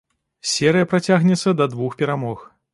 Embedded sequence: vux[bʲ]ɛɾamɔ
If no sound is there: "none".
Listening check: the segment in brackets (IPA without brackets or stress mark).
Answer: pʲ